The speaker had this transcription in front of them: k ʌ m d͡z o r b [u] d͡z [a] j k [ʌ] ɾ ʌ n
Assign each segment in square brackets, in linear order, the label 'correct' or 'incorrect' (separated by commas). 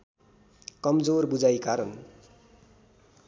correct, correct, incorrect